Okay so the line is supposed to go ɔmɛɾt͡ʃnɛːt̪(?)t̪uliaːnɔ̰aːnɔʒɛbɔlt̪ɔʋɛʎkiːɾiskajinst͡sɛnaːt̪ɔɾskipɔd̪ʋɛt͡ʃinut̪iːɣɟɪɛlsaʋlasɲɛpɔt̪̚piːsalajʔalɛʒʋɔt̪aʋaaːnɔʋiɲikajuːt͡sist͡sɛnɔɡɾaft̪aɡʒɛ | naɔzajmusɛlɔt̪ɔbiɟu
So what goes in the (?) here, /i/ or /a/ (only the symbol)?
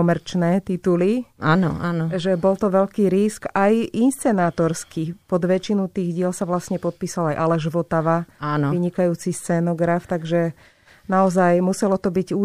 i